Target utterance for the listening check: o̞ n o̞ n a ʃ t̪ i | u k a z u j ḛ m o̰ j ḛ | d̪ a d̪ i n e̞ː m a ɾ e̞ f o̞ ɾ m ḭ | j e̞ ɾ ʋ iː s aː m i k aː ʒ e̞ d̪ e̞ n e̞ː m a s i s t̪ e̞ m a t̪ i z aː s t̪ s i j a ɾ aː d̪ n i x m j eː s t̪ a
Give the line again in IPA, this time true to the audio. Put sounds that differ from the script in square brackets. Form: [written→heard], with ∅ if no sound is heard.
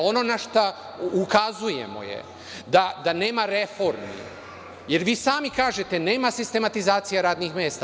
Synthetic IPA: o̞ n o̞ n a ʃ t̪ [i→a] | u k a z u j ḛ m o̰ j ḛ | d̪ a d̪ [i→a] n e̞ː m a ɾ e̞ f o̞ ɾ m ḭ | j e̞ ɾ ʋ iː s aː m i k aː ʒ e̞ [d̪→t̪] e̞ n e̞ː m a s i s t̪ e̞ m a t̪ i z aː [s→∅] t̪ s i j a ɾ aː d̪ n i x m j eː s t̪ a

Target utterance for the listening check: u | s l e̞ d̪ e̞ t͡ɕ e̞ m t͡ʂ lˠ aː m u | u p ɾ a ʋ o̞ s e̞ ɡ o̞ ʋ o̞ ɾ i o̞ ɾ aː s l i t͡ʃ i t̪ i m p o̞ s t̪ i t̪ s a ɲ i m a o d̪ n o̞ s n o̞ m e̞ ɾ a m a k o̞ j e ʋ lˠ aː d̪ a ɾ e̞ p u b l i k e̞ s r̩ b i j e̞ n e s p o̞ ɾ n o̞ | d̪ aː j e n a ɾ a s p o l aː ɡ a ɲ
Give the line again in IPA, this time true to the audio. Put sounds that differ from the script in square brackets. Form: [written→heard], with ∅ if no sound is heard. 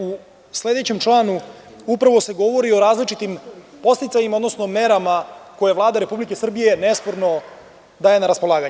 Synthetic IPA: u | s l e̞ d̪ e̞ t͡ɕ e̞ m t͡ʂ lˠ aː [m→n] u | u p ɾ a ʋ o̞ s e̞ ɡ o̞ ʋ o̞ ɾ i o̞ ɾ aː [s→z] l i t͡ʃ i t̪ i m p o̞ s t̪ i t̪ s a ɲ i m a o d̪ n o̞ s n o̞ m e̞ ɾ a m a k o̞ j e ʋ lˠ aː d̪ a ɾ e̞ p u b l i k e̞ s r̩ b i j e̞ n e s p o̞ ɾ n o̞ | d̪ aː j e n a ɾ a s p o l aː ɡ a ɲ

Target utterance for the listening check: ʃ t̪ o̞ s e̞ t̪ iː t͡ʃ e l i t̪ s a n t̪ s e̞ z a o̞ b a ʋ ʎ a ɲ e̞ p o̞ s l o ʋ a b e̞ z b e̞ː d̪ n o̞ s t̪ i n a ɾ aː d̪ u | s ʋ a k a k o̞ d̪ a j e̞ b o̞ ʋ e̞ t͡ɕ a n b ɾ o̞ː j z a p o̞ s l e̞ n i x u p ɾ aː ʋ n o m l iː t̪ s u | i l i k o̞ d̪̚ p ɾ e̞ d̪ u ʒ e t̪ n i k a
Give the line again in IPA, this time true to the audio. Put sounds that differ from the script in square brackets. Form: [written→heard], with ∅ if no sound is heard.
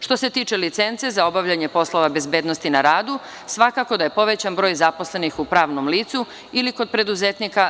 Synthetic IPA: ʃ t̪ o̞ s e̞ t̪ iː t͡ʃ e l i t̪ s [a→e] n t̪ s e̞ z a o̞ b a ʋ ʎ a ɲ e̞ p o̞ s l o ʋ a b e̞ z b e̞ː d̪ n o̞ s t̪ i n a ɾ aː d̪ u | s ʋ a k a k o̞ d̪ a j e̞ [b→p] o̞ ʋ e̞ t͡ɕ a n b ɾ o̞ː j z a p o̞ s l e̞ n i x u p ɾ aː ʋ n o m l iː t̪ s u | i l i k o̞ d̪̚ p ɾ e̞ d̪ u [ʒ→z] e t̪ n i k a

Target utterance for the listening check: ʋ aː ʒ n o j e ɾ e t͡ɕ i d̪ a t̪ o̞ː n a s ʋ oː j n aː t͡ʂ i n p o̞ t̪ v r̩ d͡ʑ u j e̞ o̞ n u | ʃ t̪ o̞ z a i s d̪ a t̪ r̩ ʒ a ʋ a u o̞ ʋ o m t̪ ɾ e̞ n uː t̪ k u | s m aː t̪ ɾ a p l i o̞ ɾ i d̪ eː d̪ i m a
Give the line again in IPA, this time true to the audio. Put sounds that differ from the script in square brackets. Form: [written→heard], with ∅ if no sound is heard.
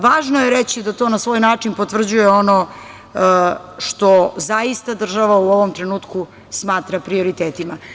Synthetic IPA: ʋ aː ʒ n o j e ɾ e t͡ɕ i d̪ a t̪ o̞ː n a s ʋ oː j n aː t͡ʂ i n p o̞ t̪ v r̩ d͡ʑ u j e̞ o̞ n [u→o] | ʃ t̪ o̞ z a i s [d̪→t̪] a [t̪→d̪] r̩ ʒ a ʋ a u o̞ ʋ o m t̪ ɾ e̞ n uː t̪ k u | s m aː t̪ ɾ a p [l→ɾ] i o̞ ɾ i [d̪→t̪] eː [d̪→t̪] i m a

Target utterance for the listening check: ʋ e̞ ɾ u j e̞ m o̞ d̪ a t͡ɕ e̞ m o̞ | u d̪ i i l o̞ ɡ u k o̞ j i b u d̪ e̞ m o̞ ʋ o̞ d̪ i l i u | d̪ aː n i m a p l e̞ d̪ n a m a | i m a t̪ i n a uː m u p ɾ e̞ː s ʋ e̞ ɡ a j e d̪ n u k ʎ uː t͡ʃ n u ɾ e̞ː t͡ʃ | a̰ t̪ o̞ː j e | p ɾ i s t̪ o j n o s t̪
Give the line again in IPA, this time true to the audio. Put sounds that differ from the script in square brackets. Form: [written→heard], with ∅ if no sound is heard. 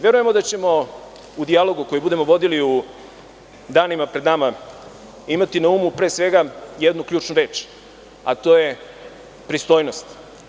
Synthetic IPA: ʋ e̞ ɾ u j e̞ m o̞ d̪ a t͡ɕ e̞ m o̞ | u d̪ i [i→a] l o̞ ɡ u k o̞ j i b u d̪ e̞ m o̞ ʋ o̞ d̪ i l i u | d̪ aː n i m a p [l→ɾ] e̞ d̪ n a m a | i m a t̪ i n a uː m u p ɾ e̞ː s ʋ e̞ ɡ a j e d̪ n u k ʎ uː t͡ʃ n u ɾ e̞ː t͡ʃ | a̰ t̪ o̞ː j e | p ɾ i s t̪ o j n o s t̪

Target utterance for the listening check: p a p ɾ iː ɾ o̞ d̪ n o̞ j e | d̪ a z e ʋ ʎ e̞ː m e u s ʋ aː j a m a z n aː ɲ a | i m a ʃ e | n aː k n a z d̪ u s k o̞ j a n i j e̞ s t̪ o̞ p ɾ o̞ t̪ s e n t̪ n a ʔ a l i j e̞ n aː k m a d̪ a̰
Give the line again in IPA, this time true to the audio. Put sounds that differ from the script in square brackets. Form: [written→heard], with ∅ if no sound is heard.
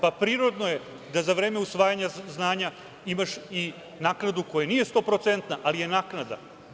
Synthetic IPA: p a p ɾ iː ɾ o̞ d̪ n o̞ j e | d̪ a z [e→a] ʋ [ʎ→ɾ] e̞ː m e u s ʋ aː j a [m→ɲ] a z n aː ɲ a | i m a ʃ [e→i] | n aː k n a [z→∅] d̪ u [s→∅] k o̞ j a n i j e̞ s t̪ o̞ p ɾ o̞ t̪ s e n t̪ n a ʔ a l i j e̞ n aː k [m→n] a d̪ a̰

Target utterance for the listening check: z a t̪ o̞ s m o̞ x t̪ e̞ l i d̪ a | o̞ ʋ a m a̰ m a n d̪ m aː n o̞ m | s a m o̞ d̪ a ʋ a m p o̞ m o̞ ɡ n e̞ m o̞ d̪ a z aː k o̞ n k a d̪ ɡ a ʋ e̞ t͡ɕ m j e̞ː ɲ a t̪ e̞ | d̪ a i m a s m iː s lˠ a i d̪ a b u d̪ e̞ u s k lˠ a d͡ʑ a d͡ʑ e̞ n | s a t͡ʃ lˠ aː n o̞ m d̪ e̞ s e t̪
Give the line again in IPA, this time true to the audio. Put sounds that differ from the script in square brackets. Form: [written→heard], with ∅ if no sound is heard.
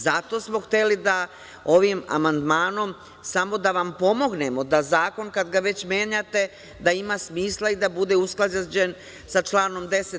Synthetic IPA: z a t̪ o̞ s m o̞ x t̪ e̞ l i d̪ a | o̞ ʋ [a→i] m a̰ m a n d̪ m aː n o̞ m | s a m o̞ d̪ a ʋ a m p o̞ m o̞ ɡ n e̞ m o̞ d̪ a z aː k o̞ n k a d̪ ɡ a ʋ e̞ t͡ɕ m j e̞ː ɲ a t̪ e̞ | d̪ a i m a s m iː s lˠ a i d̪ a b u d̪ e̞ u s k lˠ a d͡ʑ a d͡ʑ e̞ n | s a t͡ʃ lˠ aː n o̞ m d̪ e̞ s e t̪

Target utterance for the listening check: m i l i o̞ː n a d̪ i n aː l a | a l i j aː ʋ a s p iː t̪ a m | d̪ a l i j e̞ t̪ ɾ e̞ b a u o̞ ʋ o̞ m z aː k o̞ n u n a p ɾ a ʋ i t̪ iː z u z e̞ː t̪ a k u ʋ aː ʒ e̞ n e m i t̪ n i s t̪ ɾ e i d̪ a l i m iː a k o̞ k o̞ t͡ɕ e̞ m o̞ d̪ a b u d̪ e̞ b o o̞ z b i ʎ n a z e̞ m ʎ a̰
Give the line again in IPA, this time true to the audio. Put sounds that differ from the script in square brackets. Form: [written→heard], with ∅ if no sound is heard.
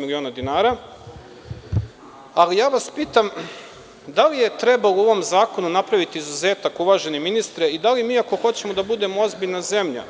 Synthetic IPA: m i l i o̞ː n a d̪ i n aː [l→ɾ] a | a l i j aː ʋ a s p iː t̪ a m | d̪ a l i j e̞ t̪ ɾ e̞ b a u o̞ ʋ o̞ m z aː k o̞ n u n a p ɾ a ʋ i t̪ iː z u z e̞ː t̪ a k u ʋ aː ʒ e̞ n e m i [t̪→∅] n i s t̪ ɾ e i d̪ a l i m iː a k o̞ [k→x] o̞ t͡ɕ e̞ m o̞ d̪ a b u d̪ e̞ [b→m] o o̞ z b i ʎ n a z e̞ m ʎ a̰

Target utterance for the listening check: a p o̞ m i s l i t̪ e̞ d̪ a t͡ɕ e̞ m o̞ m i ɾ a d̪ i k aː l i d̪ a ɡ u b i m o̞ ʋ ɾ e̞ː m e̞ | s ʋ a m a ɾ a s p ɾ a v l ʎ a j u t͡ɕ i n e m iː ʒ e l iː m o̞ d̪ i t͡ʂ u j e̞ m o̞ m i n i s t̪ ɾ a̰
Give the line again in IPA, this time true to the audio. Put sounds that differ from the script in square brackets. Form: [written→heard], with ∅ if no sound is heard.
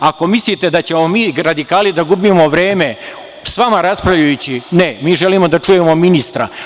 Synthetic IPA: a [p→k] o̞ m i s l i t̪ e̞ d̪ a t͡ɕ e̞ m o̞ m [i→iː] ɾ a d̪ i k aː l i d̪ a ɡ u b i m o̞ ʋ ɾ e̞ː m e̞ | s ʋ a m a ɾ a s p ɾ a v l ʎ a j u t͡ɕ i n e m iː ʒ e l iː m o̞ d̪ [i→a] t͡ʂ u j e̞ m o̞ m i n i s t̪ ɾ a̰

